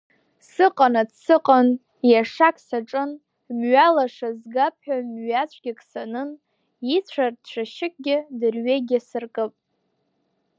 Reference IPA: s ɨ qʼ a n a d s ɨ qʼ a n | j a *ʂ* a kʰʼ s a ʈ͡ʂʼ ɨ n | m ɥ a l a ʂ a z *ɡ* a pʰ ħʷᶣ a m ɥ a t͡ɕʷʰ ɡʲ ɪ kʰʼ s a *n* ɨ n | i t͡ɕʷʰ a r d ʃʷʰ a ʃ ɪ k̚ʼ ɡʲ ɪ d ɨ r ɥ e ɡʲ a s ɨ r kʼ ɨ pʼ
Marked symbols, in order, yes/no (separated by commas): yes, yes, yes